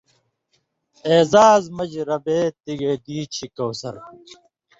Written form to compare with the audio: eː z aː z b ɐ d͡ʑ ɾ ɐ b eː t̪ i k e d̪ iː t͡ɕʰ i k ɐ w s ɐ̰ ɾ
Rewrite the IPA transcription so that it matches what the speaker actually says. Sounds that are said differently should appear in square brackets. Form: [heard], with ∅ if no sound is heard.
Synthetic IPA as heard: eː z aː z [m] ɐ d͡ʑ ɾ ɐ b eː t̪ i [ɡ] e d̪ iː t͡ɕʰ i k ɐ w s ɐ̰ ɾ